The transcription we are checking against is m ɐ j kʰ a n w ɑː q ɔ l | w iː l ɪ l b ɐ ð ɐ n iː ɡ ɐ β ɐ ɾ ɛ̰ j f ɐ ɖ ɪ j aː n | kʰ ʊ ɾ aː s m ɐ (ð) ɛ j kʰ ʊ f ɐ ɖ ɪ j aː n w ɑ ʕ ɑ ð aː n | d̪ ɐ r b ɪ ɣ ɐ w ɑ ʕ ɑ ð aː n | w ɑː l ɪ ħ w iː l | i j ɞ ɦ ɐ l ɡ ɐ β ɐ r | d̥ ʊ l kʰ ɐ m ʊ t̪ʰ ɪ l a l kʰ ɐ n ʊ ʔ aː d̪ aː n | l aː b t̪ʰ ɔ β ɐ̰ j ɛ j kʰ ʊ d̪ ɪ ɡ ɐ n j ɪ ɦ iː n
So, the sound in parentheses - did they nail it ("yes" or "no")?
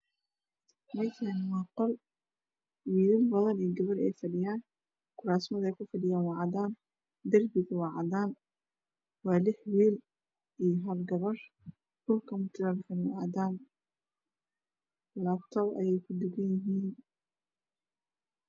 yes